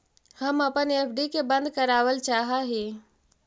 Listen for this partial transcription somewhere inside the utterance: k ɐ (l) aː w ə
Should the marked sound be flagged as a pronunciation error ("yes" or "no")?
yes